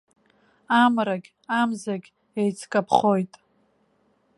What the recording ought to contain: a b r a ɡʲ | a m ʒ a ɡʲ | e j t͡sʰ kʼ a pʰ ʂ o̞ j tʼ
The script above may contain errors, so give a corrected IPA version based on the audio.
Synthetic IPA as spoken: a m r a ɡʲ | a m z a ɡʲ | e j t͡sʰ kʼ a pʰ χ o̞ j tʼ